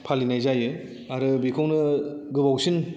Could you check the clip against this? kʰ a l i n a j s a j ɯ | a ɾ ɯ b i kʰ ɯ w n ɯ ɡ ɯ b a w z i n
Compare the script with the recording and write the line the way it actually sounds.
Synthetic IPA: pʰ a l i n a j z a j ɯ | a ɾ ɯ b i kʰ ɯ w n ɯ ɡ ɯ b a w s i n